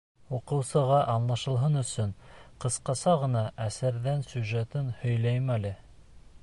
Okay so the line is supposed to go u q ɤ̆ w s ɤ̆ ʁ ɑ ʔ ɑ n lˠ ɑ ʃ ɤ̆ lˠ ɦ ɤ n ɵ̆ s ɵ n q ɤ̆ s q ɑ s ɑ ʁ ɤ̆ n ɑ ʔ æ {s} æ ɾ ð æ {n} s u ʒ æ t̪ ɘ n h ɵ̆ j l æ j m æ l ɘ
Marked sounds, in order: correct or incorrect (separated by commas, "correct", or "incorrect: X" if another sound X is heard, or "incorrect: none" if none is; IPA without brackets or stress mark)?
correct, correct